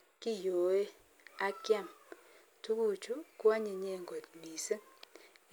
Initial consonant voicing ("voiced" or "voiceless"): voiceless